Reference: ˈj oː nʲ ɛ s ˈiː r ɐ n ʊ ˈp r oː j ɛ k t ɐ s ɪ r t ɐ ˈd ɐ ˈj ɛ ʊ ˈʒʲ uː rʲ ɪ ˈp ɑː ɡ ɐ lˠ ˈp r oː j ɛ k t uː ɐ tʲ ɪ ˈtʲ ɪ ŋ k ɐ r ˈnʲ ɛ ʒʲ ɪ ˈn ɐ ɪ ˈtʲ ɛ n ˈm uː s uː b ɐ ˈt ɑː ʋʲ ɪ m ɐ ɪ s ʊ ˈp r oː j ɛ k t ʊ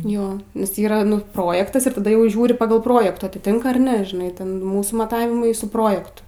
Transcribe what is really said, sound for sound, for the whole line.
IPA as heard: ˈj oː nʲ ɛ s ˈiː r ɐ n ʊ ˈp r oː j ɛ k t ɐ s ɪ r t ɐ ˈd ɐ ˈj ɛ ʊ ˈʒʲ uː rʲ ɪ ˈp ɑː ɡ ɐ lˠ ˈp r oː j ɛ k t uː ɐ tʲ ɪ ˈtʲ ɪ ŋ k ɐ r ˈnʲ ɛ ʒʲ ɪ ˈn ɐ ɪ ˈtʲ ɛ n ˈm uː s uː m ɐ ˈt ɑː ʋʲ ɪ m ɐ ɪ s ʊ ˈp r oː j ɛ k t ʊ

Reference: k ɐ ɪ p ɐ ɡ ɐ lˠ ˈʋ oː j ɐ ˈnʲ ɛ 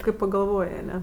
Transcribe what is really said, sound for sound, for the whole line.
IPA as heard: k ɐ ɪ p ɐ ɡ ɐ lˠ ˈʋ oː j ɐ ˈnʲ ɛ

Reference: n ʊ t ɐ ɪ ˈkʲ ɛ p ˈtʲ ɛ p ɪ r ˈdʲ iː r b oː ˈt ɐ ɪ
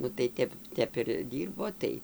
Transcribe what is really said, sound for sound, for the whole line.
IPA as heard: n ʊ t ɐ ɪ ˈtʲ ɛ p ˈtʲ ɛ p ɪ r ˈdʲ iː r b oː ˈt ɐ ɪ

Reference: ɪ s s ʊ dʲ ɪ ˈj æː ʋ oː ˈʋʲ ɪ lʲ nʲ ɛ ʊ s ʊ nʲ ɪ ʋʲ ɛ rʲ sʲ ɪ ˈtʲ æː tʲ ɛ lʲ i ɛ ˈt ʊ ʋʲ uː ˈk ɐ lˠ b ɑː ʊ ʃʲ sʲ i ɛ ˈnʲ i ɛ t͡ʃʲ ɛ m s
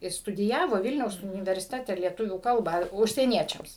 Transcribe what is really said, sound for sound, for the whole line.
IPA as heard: ɪ s t ʊ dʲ ɪ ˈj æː ʋ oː ˈʋʲ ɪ lʲ nʲ ɛ ʊ s ʊ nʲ ɪ ʋʲ ɛ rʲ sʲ ɪ ˈtʲ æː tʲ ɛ lʲ i ɛ ˈt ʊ ʋʲ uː ˈk ɐ lˠ b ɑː ʊ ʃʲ sʲ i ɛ ˈnʲ i ɛ t͡ʃʲ ɛ m s

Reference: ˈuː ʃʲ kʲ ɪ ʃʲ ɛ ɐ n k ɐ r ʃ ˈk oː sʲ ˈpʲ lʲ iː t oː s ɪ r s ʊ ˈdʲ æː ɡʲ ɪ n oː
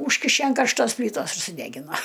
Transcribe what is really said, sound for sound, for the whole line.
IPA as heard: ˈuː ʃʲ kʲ ɪ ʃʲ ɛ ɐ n k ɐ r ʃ ˈt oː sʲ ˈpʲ lʲ iː t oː s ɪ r s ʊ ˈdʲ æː ɡʲ ɪ n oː

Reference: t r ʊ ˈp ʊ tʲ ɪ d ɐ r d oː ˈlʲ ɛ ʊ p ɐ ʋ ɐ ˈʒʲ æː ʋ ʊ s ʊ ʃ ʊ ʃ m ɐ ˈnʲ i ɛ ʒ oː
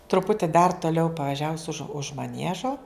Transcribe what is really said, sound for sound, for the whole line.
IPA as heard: t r ʊ ˈp ʊ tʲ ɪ d ɐ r t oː ˈlʲ ɛ ʊ p ɐ ʋ ɐ ˈʒʲ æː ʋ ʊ s ʊ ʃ ʊ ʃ m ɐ ˈnʲ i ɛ ʒ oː

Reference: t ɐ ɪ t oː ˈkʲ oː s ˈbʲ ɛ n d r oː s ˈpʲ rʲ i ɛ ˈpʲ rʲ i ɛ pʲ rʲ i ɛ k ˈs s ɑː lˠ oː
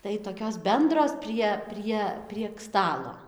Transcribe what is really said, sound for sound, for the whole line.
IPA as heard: t ɐ ɪ t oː ˈkʲ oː s ˈbʲ ɛ n d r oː s ˈpʲ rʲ i ɛ ˈpʲ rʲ i ɛ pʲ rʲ i ɛ k ˈs t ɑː lˠ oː

